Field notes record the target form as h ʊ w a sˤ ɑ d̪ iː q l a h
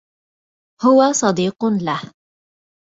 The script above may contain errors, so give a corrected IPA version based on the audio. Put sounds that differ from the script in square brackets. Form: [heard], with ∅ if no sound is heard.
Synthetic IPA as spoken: h ʊ w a sˤ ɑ d̪ iː q l a h